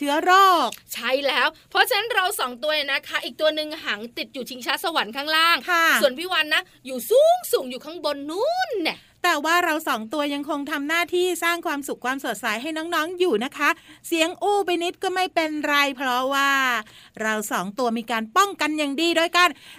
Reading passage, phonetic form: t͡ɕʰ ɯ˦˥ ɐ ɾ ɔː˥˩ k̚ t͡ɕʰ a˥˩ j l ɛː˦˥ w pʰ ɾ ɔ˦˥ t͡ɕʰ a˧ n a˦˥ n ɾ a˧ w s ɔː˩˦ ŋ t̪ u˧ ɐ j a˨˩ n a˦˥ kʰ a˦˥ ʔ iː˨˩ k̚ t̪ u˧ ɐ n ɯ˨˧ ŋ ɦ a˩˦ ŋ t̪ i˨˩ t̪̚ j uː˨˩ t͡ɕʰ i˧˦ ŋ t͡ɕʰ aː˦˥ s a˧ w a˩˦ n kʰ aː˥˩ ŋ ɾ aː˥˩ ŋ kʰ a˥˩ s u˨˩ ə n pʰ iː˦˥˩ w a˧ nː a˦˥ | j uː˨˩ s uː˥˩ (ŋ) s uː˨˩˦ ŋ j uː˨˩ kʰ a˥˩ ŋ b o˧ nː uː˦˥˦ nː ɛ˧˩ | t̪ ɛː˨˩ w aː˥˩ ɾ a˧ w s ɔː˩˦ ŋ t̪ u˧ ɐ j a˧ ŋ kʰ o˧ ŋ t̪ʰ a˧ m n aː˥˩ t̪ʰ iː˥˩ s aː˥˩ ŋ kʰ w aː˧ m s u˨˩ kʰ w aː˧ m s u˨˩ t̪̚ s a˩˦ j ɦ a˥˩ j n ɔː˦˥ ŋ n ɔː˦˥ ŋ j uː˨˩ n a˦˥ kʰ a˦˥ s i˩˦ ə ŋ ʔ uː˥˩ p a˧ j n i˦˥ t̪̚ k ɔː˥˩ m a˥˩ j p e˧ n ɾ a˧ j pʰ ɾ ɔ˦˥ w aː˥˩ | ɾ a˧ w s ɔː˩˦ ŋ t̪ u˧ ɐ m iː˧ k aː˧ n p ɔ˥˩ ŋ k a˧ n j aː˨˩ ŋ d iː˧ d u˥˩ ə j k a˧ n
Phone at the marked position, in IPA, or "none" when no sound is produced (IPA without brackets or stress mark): ŋ